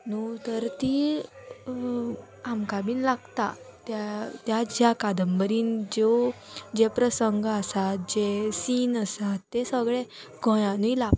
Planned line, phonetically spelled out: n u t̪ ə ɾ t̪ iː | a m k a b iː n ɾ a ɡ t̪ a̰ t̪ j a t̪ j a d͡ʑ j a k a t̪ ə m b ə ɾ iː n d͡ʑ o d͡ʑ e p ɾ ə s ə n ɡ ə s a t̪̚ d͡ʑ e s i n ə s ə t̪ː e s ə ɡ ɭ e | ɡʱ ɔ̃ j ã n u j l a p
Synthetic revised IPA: n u t̪ ə ɾ t̪ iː | a m k a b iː n l a ɡ t̪ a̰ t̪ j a t̪ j a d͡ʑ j a k a d̪ ə m b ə ɾ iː n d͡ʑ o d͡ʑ e p ɾ ə s ə ŋ ɡ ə s a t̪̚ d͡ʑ e s i n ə s a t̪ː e s ə ɡ ɭ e | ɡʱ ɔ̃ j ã n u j l a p

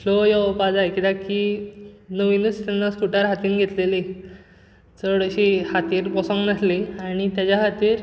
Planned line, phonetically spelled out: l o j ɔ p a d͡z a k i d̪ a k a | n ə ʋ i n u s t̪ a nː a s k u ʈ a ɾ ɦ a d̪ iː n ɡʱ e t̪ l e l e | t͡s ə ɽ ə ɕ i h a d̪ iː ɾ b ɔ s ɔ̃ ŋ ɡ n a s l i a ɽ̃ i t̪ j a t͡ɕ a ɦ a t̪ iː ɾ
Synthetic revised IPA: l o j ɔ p a d͡z a k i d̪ a k i | n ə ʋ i n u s t̪ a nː a s k u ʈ a ɾ ɦ a t̪ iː n ɡʱ e t̪ l e l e | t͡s ə ɽ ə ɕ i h a t̪ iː ɾ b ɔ s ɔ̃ ŋ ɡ n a s l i a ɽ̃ i t̪ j a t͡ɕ a ɦ a t̪ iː ɾ

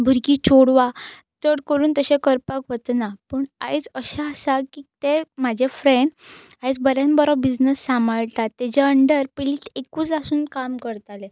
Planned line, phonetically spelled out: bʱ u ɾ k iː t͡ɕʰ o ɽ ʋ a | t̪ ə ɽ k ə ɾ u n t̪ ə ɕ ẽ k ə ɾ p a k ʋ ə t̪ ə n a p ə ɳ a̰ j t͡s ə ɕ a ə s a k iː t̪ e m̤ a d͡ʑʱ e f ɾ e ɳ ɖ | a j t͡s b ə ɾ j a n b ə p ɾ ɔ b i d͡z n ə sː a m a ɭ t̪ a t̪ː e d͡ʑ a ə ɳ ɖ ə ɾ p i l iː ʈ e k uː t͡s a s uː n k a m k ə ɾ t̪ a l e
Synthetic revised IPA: bʱ u ɾ k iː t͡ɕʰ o ɽ ʋ a | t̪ ə ɽ k ə ɾ uː n t̪ ə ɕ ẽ k ə ɾ p a k ʋ ə t̪ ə n a p ə ɳ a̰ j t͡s ə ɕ a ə s a k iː t̪ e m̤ a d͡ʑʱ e f ɾ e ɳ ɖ | a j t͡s b ə ɾ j a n b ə ɾ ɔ b i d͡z n ə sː a m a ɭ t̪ a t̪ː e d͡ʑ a ə ɳ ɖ ə ɾ p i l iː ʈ e k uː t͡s a s uː n k a m k ə ɾ t̪ a l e

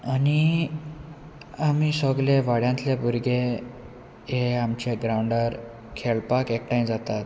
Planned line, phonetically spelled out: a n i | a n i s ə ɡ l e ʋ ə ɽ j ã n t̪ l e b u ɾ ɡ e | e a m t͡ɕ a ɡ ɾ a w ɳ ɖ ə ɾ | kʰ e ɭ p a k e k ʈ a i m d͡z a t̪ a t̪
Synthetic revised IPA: a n i | a m i s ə ɡ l e ʋ a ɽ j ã n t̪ l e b u ɾ ɡ e | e a m t͡ɕ e ɡ ɾ a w ɳ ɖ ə ɾ | kʰ e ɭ p a k e k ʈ a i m d͡z a t̪ a t̪

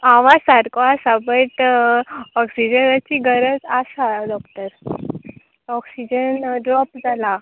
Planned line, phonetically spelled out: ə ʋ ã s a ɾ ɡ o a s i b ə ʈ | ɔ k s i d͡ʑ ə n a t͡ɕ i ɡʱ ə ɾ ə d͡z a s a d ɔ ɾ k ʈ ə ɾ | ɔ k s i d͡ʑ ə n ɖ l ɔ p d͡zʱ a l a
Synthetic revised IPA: a ʋ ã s a ɾ k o a s a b ə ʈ | ɔ k s i d͡ʑ ə n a t͡ɕ i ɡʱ ə ɾ ə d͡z a s a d ɔ k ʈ ə ɾ | ɔ k s i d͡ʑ ə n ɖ ɾ ɔ p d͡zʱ a l a

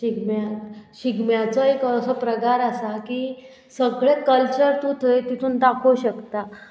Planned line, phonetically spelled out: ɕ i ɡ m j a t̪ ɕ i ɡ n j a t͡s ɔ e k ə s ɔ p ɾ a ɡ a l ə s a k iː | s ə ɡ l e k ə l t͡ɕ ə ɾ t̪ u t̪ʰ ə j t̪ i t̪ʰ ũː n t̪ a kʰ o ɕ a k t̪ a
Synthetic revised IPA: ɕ i ɡ m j a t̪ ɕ i ɡ m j a t͡s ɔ e k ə s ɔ p ɾ ə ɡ a ɾ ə s a k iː | s ə ɡ ɭ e k ə l t͡ɕ ə ɾ t̪ u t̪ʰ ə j t̪ i t̪ʰ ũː n t̪ a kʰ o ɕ ə k t̪ a

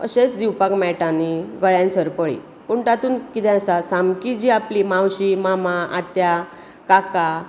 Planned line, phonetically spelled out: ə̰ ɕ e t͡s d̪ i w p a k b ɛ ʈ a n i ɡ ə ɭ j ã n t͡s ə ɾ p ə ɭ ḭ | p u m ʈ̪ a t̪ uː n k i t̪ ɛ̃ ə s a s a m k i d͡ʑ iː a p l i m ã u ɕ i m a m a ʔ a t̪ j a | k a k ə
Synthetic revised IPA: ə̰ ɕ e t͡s d̪ i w p a k m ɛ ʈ a n i ɡ ə ɭ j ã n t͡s ə ɾ p ə ɭ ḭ | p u ɳ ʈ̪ a t̪ uː n k i t̪ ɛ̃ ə s a s a m k i d͡ʑ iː a p l i m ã w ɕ i m a m a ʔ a t̪ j a | k a k a

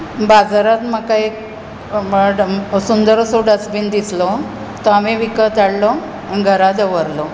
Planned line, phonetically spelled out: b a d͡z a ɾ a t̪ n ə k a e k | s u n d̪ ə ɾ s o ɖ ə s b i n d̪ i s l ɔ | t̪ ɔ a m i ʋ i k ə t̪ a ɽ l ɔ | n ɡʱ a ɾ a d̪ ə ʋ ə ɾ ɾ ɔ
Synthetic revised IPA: b a d͡z a ɾ a t̪ m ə k a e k | s u n d̪ ə ɾ s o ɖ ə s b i n d̪ i s l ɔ | t̪ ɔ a m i ʋ i k ə t̪ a ɽ l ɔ | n ɡʱ ə ɾ a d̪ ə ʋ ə ɾ l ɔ

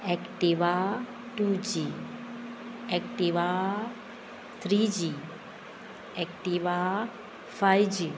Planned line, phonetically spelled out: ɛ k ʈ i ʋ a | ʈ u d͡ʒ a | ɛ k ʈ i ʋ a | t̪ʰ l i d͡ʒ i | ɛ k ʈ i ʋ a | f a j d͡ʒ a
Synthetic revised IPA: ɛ k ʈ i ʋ a | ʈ u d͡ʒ i | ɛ k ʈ i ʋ a | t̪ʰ ɾ i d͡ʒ i | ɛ k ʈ i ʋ a | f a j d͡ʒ i

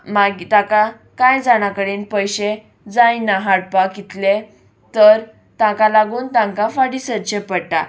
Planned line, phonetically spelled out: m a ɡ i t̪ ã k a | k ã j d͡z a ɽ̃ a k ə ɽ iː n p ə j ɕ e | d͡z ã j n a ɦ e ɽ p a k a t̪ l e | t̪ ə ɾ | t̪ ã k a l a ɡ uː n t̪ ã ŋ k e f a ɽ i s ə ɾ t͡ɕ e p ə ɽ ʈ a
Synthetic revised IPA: m a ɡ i t̪ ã k a | k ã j d͡z a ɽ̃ a k ə ɽ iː n p ə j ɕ e | d͡z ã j n a ɦ a ɽ p a k i t̪ l e | t̪ ə ɾ | t̪ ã k a l a ɡ uː n t̪ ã ŋ k a f a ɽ i s ə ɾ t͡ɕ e p ə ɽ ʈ a

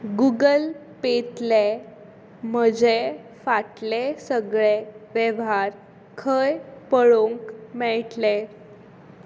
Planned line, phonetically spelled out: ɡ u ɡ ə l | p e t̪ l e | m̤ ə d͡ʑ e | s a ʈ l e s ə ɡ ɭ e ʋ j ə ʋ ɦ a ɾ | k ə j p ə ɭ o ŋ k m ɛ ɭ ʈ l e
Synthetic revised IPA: ɡ u ɡ ə l | p e t̪ l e | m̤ ə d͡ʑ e | f a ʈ l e s ə ɡ ɭ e ʋ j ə ʋ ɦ a ɾ | kʰ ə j p ə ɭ o ŋ k m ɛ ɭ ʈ l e

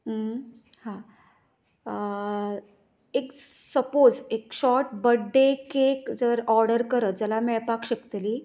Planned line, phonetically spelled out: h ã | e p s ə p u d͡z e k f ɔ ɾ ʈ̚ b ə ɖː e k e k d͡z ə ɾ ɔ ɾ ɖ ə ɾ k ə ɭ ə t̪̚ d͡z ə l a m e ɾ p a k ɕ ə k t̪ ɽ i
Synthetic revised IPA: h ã | e k s ə p o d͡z e k ɕ ɔ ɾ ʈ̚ b ə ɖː e k e k d͡z ə ɾ ɔ ɾ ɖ ə ɾ k ə ɾ ə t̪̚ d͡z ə l a m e ɭ p a k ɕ ə k t̪ l i

